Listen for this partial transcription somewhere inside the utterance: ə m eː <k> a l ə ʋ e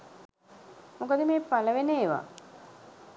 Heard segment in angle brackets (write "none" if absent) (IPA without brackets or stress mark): p